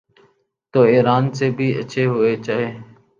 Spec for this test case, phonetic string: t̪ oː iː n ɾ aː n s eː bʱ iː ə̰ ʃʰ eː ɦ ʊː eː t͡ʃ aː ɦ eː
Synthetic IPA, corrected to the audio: t̪ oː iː ɾ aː n s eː bʱ iː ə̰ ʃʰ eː ɦ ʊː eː t͡ʃ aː ɦ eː